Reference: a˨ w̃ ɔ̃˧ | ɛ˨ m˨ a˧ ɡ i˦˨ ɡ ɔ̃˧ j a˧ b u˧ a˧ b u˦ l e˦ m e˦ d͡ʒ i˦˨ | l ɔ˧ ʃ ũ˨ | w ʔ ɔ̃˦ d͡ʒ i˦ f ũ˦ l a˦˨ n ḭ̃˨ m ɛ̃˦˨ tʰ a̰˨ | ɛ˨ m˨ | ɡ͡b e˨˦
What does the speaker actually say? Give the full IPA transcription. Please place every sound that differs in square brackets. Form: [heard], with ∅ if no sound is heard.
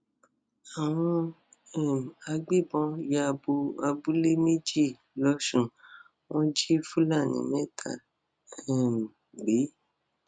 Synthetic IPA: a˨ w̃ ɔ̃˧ | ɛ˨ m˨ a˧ [ɡ͡b] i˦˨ [b] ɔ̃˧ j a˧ b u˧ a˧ b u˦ l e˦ m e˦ d͡ʒ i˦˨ | l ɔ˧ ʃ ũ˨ | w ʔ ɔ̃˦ d͡ʒ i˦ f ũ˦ l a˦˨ n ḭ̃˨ m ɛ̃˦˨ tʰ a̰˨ | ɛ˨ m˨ | ɡ͡b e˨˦